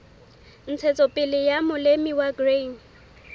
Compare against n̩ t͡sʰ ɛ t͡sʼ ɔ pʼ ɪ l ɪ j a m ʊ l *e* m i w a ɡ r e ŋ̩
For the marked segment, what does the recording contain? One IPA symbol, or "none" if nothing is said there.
e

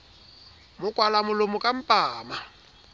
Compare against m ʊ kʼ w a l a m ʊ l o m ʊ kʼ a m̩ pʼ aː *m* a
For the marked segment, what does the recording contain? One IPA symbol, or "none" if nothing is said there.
m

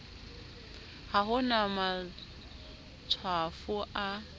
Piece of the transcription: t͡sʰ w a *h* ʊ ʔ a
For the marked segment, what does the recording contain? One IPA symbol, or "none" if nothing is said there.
f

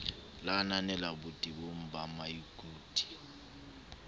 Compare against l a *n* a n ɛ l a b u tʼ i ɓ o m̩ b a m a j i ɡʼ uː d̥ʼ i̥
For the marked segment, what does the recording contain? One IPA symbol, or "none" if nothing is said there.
n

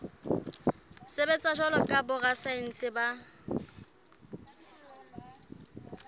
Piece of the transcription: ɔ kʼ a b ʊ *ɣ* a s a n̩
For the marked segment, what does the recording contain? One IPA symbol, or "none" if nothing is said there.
ɣ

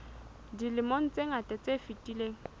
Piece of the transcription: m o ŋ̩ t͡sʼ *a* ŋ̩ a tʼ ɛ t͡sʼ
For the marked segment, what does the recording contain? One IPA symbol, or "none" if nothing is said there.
e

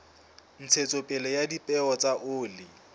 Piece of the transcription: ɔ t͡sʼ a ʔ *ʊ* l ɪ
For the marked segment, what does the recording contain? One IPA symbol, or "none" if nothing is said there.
ʊː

